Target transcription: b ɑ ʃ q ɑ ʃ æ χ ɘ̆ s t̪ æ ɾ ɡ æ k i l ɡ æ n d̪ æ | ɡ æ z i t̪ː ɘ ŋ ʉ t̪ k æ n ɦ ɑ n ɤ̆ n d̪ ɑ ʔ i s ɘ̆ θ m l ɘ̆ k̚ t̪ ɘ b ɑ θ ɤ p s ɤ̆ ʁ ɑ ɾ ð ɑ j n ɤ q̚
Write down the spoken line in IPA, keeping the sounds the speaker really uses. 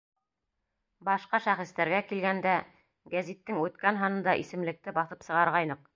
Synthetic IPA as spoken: b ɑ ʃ q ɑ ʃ æ χ ɘ̆ s t̪ æ ɾ ɡ æ k i l ɡ æ n d̪ æ | ɡ æ z i t̪ː ɘ ŋ ʉ t̪ k æ n ɦ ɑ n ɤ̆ n d̪ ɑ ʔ i s ɘ̆ m l ɘ̆ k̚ t̪ ɘ b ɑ θ ɤ p s ɤ̆ ʁ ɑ ɾ ʁ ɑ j n ɤ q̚